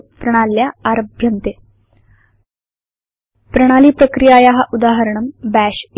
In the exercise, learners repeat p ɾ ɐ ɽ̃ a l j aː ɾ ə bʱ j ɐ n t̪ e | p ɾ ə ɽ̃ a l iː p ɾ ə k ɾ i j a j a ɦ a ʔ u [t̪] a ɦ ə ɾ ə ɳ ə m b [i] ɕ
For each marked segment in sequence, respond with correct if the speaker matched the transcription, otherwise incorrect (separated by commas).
incorrect, incorrect